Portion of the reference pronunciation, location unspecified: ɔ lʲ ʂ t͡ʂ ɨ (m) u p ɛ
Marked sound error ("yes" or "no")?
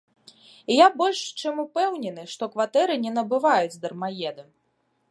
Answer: no